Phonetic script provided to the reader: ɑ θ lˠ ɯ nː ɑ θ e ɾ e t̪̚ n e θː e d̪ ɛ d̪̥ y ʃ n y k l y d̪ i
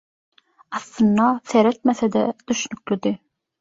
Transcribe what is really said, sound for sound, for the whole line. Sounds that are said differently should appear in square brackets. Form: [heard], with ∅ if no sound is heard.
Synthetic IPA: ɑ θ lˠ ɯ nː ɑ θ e ɾ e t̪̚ [m] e [θ] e d̪ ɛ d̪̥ y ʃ n y k l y d̪ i

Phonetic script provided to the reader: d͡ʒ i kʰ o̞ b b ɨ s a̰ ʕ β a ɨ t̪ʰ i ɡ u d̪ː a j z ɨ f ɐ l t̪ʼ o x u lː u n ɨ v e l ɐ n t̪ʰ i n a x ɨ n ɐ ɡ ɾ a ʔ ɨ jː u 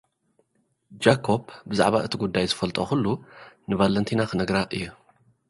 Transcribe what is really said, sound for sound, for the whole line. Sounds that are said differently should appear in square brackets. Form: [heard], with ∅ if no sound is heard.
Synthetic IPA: d͡ʒ [a] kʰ o̞ b b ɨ [z] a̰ ʕ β a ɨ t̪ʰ i ɡ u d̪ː a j z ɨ f ɐ l t̪ʼ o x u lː u n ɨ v [a] l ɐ n t̪ʰ i n a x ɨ n ɐ ɡ ɾ a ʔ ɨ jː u

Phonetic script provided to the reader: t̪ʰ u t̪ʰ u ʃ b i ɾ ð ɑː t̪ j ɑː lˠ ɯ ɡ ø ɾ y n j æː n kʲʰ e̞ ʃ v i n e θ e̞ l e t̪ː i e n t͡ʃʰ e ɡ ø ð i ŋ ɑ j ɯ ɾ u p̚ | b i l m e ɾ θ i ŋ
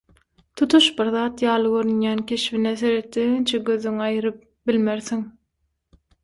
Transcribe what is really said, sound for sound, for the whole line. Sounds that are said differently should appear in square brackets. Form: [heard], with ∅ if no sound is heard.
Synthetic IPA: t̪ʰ u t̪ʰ u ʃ b i ɾ ð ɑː t̪ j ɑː lˠ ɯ ɡ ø ɾ y n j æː n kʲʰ e̞ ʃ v i n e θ e̞ [ɾ] e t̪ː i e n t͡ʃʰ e ɡ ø ð [y] ŋ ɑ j ɯ ɾ [ɯ] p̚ | b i l m e ɾ θ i ŋ

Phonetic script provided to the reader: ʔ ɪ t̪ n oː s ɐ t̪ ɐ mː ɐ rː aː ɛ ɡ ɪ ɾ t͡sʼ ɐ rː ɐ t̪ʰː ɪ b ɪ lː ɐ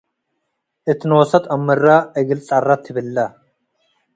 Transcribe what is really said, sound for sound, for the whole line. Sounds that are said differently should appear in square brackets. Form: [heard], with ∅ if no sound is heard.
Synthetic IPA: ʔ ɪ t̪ n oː s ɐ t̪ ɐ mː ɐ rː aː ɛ ɡ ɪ [l] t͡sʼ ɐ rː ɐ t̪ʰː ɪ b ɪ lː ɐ

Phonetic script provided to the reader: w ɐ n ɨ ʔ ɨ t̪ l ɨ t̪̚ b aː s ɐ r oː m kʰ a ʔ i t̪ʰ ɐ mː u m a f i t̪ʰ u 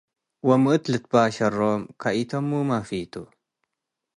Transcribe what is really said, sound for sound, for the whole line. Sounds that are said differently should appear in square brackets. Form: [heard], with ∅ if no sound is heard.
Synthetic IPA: w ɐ [m] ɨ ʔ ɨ t̪ l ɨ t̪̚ b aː [ʃ] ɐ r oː m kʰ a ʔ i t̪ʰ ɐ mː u m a f i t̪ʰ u

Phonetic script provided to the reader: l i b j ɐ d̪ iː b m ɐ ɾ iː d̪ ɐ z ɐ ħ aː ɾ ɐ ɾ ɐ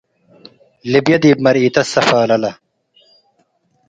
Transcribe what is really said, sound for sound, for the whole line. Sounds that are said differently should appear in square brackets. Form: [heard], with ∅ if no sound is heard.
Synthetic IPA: l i b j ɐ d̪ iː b m ɐ ɾ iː [t̪] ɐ [s] ɐ [f] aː [l] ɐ [l] ɐ

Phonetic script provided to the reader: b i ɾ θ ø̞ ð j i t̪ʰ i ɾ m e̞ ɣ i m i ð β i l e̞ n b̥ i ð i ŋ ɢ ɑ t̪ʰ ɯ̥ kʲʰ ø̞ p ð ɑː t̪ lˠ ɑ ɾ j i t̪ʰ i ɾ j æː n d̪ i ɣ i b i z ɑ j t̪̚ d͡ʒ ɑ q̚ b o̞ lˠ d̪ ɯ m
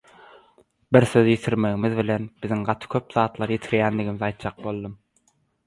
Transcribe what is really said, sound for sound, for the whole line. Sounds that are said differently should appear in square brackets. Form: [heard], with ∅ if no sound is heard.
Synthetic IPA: b i ɾ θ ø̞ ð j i t̪ʰ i ɾ m e̞ ɣ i m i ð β i l e̞ n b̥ i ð i ŋ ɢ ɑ t̪ʰ ɯ̥ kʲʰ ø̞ p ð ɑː t̪ lˠ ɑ ɾ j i t̪ʰ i ɾ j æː n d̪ i ɣ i [m] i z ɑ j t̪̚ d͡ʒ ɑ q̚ b o̞ lˠ d̪ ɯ m

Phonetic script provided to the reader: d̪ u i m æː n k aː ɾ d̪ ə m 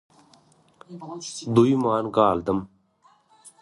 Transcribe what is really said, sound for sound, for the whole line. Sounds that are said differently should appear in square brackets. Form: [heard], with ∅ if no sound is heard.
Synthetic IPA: d̪ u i m [aː] n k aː [l] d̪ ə m

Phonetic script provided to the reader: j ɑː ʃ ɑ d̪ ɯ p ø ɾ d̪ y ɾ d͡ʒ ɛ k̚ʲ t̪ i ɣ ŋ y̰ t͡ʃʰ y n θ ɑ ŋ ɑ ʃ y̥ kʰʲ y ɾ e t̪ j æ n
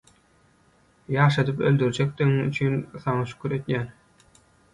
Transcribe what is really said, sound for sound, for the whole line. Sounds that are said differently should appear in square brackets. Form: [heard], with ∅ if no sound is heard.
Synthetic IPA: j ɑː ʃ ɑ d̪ ɯ p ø [l] d̪ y ɾ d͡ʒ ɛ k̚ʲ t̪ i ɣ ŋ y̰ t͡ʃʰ y n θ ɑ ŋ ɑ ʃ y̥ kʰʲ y ɾ e t̪ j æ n

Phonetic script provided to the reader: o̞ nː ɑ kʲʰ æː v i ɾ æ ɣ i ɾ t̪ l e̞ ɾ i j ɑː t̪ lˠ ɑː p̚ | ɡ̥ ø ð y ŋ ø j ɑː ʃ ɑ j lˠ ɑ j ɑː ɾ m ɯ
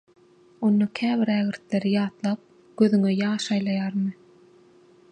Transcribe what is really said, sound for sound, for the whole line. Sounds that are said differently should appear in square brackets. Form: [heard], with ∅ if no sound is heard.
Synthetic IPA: o̞ nː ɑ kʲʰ æː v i ɾ æ ɣ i ɾ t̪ l e̞ ɾ i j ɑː t̪ lˠ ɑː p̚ | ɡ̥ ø ð y ŋ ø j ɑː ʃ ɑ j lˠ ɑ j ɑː ɾ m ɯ

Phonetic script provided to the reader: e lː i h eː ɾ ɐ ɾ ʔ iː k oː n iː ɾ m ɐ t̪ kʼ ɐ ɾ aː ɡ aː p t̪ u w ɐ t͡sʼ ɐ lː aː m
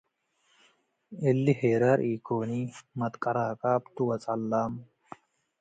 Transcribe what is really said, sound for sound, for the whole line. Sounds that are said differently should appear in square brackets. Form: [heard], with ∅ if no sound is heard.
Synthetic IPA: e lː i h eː ɾ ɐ ɾ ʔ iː k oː n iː [∅] m ɐ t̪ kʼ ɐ ɾ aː [k] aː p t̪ u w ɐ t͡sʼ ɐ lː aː m

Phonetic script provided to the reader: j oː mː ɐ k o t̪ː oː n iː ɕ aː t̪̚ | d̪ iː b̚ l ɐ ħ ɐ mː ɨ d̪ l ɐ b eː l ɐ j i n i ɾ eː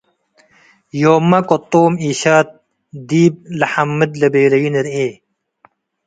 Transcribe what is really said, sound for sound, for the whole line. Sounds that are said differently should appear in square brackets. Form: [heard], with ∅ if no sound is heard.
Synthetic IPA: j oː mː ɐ k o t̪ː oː [m] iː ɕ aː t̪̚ | d̪ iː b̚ l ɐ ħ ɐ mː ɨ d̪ l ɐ b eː l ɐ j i n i ɾ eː

